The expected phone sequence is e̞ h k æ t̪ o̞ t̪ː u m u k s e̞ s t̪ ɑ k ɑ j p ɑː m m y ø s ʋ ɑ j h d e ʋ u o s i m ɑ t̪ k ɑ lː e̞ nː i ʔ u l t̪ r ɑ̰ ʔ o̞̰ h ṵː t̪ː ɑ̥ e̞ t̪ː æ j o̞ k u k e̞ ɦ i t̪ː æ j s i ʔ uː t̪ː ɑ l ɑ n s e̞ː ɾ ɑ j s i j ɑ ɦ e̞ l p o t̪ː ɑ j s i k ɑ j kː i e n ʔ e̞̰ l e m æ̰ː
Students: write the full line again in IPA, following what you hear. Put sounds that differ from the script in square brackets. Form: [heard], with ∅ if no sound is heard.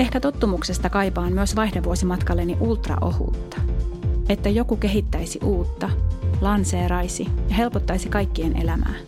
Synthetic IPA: e̞ h k æ t̪ o̞ t̪ː u m u k s e̞ s t̪ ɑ k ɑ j p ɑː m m y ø s ʋ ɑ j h d e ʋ u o s i m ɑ t̪ k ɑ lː e̞ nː i ʔ u l t̪ r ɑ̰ ʔ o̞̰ h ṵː t̪ː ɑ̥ e̞ t̪ː æ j o̞ k u k e̞ ɦ i t̪ː æ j s i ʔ uː t̪ː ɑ l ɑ n s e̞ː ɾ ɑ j s i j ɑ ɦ e̞ l p o t̪ː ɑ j s i k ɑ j kː i e n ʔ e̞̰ l [æ] m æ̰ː